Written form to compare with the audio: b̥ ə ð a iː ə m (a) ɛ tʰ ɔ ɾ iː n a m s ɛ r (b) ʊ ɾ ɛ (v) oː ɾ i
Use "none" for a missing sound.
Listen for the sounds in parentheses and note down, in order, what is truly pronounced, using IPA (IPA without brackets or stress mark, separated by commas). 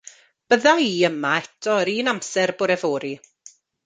a, b, v